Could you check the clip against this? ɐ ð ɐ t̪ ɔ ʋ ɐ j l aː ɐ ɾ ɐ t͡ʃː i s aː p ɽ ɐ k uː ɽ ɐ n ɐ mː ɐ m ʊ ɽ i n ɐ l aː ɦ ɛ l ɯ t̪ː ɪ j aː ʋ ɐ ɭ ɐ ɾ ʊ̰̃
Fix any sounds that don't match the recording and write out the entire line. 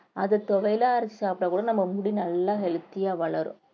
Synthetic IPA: ɐ ð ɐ t̪ ɔ ʋ ɐ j l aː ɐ ɾ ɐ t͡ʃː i s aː p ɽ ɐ k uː ɽ ɐ n ɐ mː ɐ m ʊ ɽ i n ɐ lː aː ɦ ɛ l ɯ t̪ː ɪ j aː ʋ ɐ ɭ ɐ ɾ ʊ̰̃